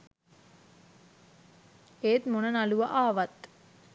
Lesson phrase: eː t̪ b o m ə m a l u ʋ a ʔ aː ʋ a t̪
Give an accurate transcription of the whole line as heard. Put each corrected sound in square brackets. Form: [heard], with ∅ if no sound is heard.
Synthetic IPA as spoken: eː t̪ [m] o [n] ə [n] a l u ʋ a ʔ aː ʋ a t̪